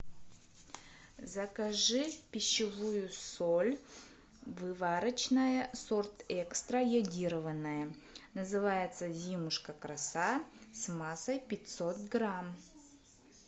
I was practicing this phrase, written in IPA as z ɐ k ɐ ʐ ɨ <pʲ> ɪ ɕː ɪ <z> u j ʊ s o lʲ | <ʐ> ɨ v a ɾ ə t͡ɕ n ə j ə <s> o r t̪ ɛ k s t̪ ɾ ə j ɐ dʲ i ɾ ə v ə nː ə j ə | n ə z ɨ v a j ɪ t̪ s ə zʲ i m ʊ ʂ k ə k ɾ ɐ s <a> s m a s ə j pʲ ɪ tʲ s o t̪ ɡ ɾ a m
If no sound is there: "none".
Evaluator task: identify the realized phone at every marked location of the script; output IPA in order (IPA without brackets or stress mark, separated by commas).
pʲ, v, v, s, a